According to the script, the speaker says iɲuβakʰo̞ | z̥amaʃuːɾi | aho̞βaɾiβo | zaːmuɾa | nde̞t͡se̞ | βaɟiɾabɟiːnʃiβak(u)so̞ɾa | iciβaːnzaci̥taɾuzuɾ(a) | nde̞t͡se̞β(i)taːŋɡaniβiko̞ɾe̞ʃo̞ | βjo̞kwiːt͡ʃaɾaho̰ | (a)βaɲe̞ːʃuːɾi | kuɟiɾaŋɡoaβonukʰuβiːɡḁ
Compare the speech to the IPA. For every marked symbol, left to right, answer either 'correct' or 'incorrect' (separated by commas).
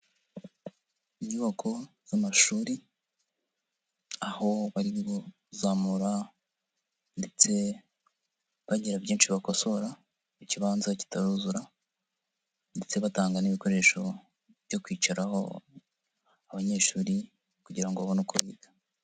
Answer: incorrect, correct, incorrect, correct